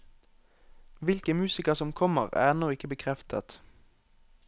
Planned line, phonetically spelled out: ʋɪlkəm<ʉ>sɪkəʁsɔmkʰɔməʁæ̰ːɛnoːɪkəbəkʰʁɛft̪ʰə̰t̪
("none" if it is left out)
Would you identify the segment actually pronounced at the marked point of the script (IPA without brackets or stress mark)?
ʉː